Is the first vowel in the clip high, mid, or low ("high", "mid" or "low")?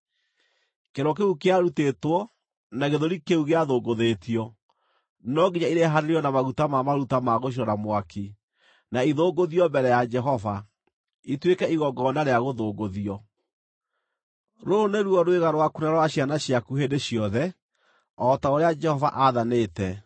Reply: mid